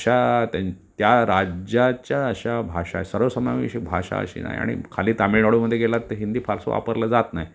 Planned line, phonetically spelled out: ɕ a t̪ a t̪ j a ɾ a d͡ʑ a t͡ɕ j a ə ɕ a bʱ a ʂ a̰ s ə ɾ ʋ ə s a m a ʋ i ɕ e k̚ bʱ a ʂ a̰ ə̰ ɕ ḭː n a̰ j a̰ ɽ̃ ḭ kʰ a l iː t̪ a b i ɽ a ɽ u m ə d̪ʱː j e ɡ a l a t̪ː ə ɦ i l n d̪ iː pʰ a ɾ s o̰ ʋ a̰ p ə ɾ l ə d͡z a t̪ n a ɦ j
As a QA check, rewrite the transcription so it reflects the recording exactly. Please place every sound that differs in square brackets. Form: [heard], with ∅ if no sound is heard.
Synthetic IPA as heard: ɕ a t̪ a t̪ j a ɾ a d͡ʑ a t͡ɕ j a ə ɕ a bʱ a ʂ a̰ s ə ɾ ʋ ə s [ə] m a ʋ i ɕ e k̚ bʱ a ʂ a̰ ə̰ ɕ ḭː n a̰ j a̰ ɽ̃ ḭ kʰ a l iː t̪ a [m] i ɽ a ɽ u m ə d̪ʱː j e ɡ [e] l a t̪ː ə ɦ i [∅] n d̪ iː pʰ a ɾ s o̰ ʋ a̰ p ə ɾ l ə d͡z a t̪ n a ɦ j